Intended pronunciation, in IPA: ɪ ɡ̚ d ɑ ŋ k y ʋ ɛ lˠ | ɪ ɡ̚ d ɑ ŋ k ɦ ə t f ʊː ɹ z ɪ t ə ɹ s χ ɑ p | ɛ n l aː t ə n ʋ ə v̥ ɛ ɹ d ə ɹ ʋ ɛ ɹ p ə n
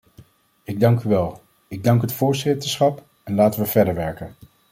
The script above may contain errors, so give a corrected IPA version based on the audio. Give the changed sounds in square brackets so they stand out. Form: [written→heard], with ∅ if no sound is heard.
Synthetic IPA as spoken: ɪ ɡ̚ d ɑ ŋ k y ʋ ɛ lˠ | ɪ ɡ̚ d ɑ ŋ k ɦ ə t f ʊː ɹ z ɪ t ə ɹ s χ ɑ p | ɛ n l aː t ə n ʋ ə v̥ ɛ ɹ d ə ɹ ʋ ɛ ɹ [p→k] ə n